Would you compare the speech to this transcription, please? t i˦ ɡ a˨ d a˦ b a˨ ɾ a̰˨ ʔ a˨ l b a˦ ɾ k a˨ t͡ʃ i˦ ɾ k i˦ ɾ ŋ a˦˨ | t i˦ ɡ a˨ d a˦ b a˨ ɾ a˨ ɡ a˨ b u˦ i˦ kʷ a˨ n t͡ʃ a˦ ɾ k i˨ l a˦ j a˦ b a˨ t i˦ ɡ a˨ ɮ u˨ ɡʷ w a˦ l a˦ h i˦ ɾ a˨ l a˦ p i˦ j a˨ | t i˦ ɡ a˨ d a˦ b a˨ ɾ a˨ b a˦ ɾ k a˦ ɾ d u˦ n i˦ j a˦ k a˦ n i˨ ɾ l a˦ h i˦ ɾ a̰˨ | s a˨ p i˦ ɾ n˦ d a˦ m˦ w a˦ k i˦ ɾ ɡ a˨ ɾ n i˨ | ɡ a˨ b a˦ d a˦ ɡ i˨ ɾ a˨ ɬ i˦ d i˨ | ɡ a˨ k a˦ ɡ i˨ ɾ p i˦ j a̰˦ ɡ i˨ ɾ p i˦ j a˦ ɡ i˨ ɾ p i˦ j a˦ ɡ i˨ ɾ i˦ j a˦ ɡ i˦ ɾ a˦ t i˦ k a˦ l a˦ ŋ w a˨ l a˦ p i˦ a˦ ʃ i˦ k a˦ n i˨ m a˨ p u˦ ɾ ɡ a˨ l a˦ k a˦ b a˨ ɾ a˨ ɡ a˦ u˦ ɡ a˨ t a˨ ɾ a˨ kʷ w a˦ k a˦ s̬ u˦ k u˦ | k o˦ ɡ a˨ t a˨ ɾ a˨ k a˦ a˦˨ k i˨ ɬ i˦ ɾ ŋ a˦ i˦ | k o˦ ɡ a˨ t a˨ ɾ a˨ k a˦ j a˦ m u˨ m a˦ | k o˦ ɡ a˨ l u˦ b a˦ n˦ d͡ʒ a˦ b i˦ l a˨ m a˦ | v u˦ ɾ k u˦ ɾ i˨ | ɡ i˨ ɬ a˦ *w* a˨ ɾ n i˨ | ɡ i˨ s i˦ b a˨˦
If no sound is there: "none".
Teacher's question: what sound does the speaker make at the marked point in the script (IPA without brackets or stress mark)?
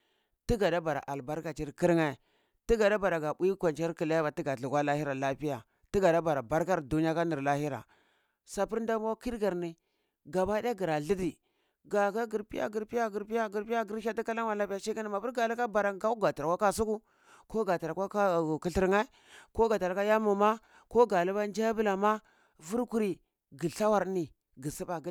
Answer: w